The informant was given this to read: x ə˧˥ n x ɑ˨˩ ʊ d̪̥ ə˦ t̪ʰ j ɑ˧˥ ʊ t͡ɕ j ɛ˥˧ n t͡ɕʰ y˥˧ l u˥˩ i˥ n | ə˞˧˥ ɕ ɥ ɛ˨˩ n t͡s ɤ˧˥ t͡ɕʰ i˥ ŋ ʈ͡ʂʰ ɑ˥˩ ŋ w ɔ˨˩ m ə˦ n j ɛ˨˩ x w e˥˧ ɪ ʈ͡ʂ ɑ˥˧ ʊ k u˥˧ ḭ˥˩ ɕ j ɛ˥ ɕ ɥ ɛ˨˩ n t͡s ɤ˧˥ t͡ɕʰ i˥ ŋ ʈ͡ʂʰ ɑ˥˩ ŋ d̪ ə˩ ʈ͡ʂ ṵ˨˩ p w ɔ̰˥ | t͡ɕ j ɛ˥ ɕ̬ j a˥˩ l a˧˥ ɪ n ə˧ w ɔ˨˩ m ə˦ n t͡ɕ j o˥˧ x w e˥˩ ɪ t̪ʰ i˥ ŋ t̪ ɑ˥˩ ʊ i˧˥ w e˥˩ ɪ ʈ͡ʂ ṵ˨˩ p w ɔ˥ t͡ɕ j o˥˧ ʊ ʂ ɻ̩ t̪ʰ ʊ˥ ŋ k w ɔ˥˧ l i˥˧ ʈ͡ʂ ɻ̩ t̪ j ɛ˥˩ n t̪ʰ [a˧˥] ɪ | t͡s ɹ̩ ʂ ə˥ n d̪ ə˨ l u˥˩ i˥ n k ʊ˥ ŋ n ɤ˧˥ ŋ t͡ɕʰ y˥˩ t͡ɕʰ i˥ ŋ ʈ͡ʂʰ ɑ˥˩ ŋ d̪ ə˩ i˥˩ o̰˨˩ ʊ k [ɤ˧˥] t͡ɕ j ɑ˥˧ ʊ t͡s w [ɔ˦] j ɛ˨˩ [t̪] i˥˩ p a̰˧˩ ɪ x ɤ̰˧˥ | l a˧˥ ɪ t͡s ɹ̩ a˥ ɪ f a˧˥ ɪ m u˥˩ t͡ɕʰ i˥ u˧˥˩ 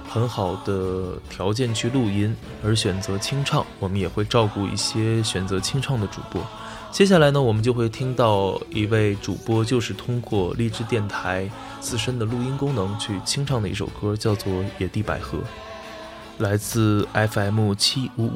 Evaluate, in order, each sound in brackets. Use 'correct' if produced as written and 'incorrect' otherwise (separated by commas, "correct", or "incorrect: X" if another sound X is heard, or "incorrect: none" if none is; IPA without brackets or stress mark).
correct, incorrect: ɤ˥, incorrect: ɔ˥˩, correct